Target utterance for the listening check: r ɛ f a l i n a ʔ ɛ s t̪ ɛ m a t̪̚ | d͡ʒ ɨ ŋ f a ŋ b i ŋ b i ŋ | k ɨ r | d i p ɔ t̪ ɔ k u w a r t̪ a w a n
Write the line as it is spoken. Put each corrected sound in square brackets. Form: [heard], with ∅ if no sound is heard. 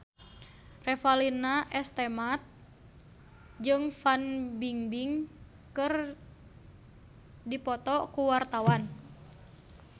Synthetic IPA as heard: r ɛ f a l i n a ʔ ɛ s t̪ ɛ m a t̪̚ | d͡ʒ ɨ ŋ f a [n] b i ŋ b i ŋ | k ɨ r | d i p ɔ t̪ ɔ k u w a r t̪ a w a n